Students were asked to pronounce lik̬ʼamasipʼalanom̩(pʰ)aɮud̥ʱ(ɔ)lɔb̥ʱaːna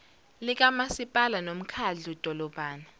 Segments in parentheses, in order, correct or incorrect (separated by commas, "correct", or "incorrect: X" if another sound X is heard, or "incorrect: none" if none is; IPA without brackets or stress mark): incorrect: kʰ, correct